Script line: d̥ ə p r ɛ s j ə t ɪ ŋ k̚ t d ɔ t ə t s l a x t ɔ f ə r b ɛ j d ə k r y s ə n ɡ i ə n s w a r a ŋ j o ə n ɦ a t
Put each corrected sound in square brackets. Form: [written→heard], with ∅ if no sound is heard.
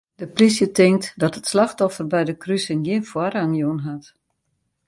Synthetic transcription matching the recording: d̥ ə p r [ɛ→i] s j ə t ɪ ŋ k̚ t d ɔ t ə t s l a x t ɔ f ə r b ɛ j d ə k r y s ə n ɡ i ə n [s→f] w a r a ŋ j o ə n ɦ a t